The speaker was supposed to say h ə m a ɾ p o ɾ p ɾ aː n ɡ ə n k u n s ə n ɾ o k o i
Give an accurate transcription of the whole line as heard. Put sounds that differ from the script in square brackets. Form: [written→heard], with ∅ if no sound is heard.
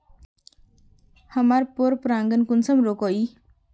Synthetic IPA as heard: h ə m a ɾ p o ɾ p ɾ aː [n→ŋ] ɡ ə n k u n s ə [n→m] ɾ o k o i

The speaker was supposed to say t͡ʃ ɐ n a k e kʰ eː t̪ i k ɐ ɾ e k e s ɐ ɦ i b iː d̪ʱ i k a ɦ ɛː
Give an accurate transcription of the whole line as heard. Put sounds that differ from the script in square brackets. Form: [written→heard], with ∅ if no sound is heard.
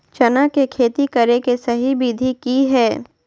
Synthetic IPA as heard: t͡ʃ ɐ n a k e kʰ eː t̪ i k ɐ ɾ e k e s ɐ ɦ i b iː d̪ʱ i k [a→i] ɦ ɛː

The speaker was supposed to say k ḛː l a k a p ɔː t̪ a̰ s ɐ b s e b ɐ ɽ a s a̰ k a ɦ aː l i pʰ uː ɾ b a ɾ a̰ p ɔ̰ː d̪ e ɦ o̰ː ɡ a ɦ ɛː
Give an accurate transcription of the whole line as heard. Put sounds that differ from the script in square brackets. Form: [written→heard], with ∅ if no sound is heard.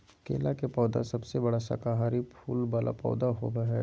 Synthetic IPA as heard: k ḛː l a k [a→e] p ɔː [t̪→d̪] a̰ s ɐ b s e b ɐ ɽ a s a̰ k a ɦ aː [l→ɾ] i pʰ uː [ɾ→l] b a [ɾ→l] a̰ p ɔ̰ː d̪ [e→a] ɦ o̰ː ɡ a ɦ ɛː

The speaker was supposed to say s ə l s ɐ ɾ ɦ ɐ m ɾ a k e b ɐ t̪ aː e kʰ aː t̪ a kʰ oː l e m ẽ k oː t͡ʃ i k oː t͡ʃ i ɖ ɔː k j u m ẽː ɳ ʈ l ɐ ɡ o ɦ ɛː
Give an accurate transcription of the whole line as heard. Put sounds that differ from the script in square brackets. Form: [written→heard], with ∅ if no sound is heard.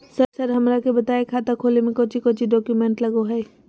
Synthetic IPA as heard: s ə [l→ɾ] s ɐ ɾ ɦ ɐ m ɾ a k e b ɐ t̪ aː e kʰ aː t̪ a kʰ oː l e m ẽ k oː t͡ʃ i k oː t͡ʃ i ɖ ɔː k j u m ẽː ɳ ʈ l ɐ ɡ o ɦ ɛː

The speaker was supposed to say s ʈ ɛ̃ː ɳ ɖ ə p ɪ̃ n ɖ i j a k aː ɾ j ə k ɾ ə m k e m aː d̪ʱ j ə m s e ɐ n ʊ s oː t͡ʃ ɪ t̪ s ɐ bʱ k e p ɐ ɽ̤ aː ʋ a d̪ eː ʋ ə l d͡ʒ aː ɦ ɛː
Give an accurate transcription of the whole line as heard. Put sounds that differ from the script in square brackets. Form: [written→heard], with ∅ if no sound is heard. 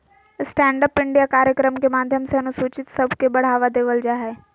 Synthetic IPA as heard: s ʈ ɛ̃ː ɳ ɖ ə p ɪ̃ [n→ɳ] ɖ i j a k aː ɾ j ə k ɾ ə m k e m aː d̪ʱ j ə m s e ɐ n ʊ s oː t͡ʃ ɪ t̪ s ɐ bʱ k e [p→b] ɐ ɽ̤ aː ʋ a d̪ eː ʋ ə l d͡ʒ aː ɦ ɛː

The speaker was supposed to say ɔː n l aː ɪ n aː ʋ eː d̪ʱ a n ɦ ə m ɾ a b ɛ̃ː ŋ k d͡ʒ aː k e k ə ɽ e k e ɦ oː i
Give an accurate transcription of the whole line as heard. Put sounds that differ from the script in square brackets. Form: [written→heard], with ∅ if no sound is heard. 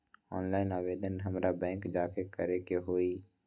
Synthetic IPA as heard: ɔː n l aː ɪ n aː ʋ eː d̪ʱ [a→ə] n ɦ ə m ɾ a b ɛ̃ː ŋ k d͡ʒ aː k e k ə [ɽ→ɾ] e k e ɦ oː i

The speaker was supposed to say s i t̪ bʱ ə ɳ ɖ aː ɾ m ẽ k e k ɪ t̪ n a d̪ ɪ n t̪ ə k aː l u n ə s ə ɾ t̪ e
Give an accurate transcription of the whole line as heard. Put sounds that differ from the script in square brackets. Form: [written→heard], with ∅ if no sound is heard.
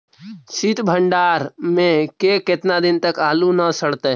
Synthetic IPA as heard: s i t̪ bʱ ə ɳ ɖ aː ɾ m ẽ k e k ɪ t̪ n a d̪ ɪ n t̪ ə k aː l u n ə s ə [ɾ→ɽ] t̪ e

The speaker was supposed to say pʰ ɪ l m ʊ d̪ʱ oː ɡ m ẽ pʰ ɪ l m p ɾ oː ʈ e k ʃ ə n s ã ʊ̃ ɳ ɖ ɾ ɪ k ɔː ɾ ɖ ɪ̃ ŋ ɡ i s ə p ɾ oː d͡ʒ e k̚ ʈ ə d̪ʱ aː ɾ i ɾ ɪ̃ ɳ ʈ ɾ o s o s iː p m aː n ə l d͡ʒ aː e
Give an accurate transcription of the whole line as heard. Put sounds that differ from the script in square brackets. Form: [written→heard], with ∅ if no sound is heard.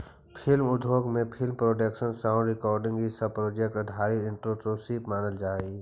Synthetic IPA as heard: pʰ ɪ l m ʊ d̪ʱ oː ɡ m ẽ pʰ ɪ l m p ɾ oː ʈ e k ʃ ə n s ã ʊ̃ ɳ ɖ ɾ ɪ k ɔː ɾ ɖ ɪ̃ ŋ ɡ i s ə p ɾ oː d͡ʒ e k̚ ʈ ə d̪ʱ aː ɾ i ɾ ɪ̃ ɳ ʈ ɾ o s o s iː p m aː n ə l d͡ʒ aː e

